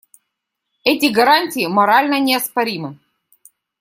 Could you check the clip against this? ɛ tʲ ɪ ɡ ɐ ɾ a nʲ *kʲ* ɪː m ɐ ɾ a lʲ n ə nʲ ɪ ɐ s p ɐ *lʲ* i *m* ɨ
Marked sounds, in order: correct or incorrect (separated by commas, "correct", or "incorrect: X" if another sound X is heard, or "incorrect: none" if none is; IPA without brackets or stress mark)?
incorrect: tʲ, incorrect: ɾʲ, correct